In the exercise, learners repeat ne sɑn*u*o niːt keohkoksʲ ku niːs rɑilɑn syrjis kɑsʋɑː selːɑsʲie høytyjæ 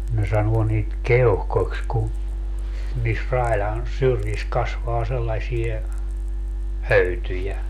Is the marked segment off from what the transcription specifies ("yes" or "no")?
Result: no